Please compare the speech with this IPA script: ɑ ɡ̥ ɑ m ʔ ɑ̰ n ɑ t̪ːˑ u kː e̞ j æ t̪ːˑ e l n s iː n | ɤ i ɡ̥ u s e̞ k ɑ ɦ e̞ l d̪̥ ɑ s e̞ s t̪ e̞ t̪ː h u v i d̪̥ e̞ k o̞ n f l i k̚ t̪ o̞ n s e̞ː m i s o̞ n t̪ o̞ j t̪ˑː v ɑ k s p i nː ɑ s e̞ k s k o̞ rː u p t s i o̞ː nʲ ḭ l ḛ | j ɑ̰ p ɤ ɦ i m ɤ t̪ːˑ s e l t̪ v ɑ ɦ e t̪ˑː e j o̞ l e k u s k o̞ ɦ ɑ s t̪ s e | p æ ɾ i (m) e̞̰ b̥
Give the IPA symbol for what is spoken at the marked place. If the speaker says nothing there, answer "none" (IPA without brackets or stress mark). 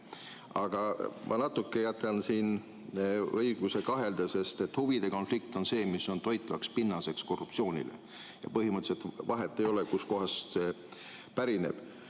n